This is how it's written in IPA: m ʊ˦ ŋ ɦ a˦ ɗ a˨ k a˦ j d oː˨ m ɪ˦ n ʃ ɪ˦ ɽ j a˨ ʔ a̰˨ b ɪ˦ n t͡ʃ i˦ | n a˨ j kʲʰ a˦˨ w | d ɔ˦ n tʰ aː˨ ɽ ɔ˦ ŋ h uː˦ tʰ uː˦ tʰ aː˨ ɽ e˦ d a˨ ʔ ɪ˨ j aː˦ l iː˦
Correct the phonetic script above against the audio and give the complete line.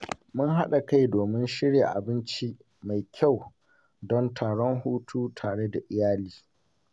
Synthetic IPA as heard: m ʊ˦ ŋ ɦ a˦ ɗ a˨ k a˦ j d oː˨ m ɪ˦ n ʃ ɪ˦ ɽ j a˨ ʔ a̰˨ b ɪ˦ n t͡ʃ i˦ | m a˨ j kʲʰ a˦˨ w | d ɔ˦ n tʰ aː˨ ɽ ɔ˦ ŋ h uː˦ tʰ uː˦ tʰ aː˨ ɽ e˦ d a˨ ʔ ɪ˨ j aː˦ l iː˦